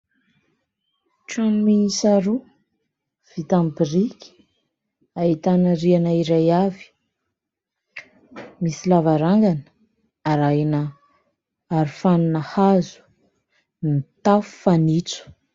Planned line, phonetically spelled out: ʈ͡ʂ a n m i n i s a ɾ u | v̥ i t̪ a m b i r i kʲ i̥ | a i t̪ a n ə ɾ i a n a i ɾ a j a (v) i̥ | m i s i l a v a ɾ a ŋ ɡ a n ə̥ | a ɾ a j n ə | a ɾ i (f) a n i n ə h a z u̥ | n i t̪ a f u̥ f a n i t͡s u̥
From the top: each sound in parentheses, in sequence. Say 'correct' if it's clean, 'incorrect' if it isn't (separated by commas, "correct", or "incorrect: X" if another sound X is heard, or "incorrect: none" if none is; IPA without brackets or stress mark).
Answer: correct, correct